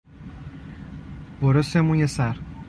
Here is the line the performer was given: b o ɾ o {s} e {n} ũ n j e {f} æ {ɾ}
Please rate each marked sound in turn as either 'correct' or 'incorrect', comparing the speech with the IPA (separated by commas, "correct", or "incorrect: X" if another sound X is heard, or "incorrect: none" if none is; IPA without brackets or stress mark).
correct, incorrect: m, incorrect: s, correct